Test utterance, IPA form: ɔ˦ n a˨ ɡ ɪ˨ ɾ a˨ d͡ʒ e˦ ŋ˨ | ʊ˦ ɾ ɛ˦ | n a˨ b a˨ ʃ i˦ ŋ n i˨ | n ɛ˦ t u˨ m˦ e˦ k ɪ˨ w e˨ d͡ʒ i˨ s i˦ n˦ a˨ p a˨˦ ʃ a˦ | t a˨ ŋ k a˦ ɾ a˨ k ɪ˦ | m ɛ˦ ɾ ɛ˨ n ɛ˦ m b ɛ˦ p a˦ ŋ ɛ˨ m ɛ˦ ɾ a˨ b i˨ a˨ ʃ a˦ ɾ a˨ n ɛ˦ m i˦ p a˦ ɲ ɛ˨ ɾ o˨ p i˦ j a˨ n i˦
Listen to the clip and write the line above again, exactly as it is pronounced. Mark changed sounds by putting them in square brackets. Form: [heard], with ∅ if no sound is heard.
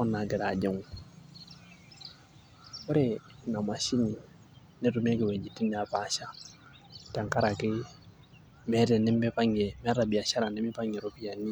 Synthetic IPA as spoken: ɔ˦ n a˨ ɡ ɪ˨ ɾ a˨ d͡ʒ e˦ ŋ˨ | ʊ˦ ɾ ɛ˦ | n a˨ [m] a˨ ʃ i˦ [∅] n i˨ | n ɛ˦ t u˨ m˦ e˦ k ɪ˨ w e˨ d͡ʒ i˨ [t] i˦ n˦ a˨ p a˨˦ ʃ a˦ | t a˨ ŋ k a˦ ɾ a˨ k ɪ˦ | m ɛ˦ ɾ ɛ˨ n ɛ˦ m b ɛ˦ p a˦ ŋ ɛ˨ m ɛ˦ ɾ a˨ b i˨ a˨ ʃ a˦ ɾ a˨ n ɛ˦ m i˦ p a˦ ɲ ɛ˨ ɾ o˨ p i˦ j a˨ n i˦